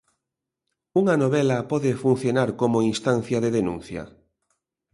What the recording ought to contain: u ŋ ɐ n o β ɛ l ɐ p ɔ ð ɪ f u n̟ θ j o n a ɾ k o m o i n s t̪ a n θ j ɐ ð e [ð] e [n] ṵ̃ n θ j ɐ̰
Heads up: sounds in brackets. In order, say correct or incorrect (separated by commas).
correct, correct